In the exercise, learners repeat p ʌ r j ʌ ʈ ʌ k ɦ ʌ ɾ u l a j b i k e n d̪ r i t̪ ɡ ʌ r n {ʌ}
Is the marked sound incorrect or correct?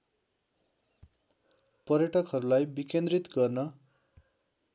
correct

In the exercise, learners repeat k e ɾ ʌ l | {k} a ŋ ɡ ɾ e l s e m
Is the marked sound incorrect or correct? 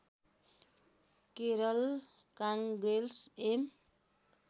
correct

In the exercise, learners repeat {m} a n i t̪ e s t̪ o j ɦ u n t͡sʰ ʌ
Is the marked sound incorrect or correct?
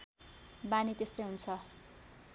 incorrect: b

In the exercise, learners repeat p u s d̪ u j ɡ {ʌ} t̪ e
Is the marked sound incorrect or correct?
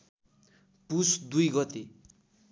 correct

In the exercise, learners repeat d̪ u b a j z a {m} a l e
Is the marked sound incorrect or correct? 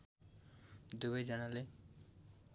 incorrect: n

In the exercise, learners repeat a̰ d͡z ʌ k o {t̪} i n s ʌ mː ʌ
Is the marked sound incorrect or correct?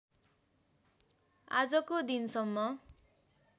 incorrect: d̪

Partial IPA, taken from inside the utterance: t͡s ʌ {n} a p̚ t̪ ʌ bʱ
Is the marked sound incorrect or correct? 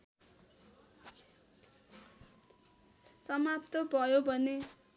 incorrect: m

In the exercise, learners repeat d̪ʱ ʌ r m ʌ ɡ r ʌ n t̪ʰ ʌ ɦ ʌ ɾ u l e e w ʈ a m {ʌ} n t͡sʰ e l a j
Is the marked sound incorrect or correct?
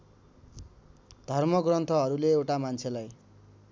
incorrect: a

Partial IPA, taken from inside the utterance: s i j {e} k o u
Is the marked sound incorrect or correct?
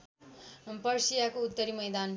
incorrect: a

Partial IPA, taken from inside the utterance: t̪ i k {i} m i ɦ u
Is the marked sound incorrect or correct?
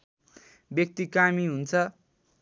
incorrect: a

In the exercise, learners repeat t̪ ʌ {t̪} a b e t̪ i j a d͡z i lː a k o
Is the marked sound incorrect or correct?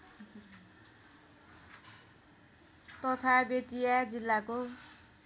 incorrect: t̪ʰ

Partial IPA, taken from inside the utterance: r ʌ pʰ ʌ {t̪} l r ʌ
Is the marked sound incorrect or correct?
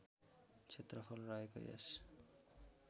incorrect: none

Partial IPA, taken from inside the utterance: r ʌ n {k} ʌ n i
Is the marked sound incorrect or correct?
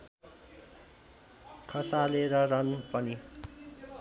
incorrect: p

